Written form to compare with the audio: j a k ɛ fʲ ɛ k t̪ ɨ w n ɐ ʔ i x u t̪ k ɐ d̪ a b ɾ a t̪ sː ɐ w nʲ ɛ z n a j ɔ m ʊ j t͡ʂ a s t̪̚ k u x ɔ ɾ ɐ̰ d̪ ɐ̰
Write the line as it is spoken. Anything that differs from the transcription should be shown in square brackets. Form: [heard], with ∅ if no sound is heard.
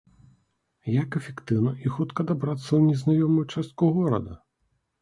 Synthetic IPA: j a k ɛ fʲ ɛ k t̪ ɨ w n ɐ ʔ i x u t̪ k ɐ d̪ a b ɾ a t̪ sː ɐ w nʲ ɛ z n a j ɔ m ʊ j t͡ʂ a s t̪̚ k u [ɣ] ɔ ɾ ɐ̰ d̪ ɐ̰